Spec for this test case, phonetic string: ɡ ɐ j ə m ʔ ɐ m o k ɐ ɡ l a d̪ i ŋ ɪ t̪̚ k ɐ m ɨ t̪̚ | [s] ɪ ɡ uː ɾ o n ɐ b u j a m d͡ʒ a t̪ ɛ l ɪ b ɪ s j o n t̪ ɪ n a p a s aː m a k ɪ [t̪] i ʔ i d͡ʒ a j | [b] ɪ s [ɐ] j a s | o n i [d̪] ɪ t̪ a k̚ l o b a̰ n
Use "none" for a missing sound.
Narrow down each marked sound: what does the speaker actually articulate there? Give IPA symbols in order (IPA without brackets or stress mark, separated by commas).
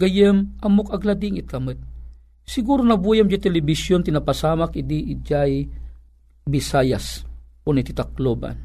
s, d̪, b, a, t̪